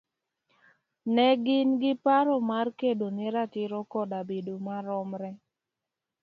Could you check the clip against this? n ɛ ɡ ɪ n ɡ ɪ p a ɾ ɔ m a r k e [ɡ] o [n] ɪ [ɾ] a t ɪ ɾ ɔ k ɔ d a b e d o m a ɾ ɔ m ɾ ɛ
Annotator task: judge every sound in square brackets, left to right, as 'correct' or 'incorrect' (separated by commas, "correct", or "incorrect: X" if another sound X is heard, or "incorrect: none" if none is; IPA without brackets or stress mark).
incorrect: d, correct, correct